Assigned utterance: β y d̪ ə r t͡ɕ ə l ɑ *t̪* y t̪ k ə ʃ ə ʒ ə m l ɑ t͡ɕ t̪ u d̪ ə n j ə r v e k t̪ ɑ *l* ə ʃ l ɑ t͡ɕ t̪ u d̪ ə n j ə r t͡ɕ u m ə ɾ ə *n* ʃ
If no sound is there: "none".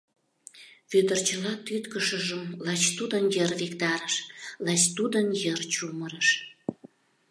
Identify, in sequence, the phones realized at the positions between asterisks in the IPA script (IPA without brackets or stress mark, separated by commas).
t̪, ɾ, none